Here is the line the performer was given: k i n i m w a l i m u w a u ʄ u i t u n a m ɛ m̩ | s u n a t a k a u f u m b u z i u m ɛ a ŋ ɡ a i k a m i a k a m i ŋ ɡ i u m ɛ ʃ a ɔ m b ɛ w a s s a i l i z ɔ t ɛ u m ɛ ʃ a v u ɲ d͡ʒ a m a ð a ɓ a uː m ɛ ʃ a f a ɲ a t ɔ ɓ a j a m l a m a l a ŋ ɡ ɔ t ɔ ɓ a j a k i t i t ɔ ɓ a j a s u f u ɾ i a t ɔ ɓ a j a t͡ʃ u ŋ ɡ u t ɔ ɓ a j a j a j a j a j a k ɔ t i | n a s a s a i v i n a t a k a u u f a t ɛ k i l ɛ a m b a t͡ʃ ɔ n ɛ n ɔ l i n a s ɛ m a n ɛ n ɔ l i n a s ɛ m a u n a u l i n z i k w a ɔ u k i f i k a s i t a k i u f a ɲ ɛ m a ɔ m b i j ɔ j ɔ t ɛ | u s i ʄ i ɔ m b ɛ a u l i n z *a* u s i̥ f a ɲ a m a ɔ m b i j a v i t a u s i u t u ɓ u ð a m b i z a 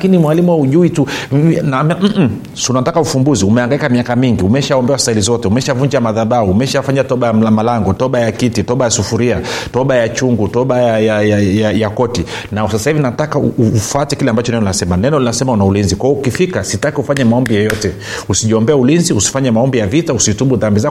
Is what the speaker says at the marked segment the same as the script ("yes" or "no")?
no